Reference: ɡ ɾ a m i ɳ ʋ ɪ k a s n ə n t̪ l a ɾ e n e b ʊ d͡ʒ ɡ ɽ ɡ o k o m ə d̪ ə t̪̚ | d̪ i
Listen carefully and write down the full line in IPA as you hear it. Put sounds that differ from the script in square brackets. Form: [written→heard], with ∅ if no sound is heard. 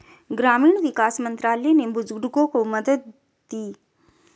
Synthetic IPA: ɡ ɾ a m i ɳ ʋ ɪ k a s [n→m] ə n t̪ [l→ɾ] a [ɾ→l] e n e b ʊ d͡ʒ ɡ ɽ ɡ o k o m ə d̪ ə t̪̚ | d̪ i